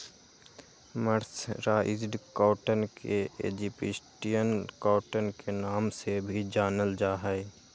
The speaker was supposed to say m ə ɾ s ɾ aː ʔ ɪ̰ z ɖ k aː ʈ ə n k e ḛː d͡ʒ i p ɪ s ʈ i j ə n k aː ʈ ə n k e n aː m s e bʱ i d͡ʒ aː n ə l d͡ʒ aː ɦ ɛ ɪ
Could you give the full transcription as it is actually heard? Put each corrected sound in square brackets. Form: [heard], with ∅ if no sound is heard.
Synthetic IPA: m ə ɾ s ɾ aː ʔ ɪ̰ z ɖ k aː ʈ ə n k e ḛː d͡ʒ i p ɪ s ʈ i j ə n k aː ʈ ə n k e n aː m s e bʱ i d͡ʒ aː n ə l d͡ʒ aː ɦ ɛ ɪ